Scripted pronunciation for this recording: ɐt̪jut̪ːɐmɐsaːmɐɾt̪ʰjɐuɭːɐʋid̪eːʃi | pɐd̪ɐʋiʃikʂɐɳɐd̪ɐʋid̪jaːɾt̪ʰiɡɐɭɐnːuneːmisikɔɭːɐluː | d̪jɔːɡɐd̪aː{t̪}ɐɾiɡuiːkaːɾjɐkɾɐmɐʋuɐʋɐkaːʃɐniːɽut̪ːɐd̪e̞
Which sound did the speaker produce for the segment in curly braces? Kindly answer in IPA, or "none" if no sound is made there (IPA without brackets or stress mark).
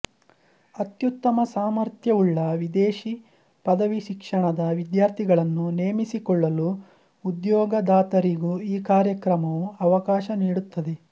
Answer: t̪